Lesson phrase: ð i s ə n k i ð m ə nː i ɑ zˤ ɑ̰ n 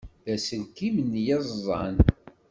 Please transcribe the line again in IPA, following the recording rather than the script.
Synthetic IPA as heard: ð æ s ə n k i m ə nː j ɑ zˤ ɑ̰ n